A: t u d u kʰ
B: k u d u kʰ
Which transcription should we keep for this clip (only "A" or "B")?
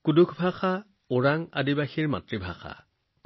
B